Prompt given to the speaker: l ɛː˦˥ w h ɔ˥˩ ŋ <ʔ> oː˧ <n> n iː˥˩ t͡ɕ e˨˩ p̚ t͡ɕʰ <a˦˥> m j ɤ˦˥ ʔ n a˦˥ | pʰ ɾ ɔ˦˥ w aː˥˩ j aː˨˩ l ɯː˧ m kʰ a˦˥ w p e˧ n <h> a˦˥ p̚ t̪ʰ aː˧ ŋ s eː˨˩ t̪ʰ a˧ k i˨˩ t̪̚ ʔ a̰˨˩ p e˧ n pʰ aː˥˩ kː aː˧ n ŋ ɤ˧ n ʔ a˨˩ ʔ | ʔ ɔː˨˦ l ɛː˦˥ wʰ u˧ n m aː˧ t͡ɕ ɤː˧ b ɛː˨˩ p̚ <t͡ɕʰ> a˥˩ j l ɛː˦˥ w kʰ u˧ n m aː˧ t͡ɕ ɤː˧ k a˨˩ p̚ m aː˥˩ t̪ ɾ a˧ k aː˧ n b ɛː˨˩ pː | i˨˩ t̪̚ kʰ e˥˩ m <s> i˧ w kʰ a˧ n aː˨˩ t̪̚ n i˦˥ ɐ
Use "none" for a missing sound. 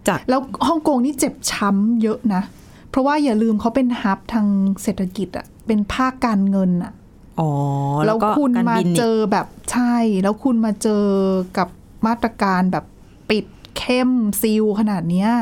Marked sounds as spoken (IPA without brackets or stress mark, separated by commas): k, ŋ, a˦˥, h, t͡ɕʰ, s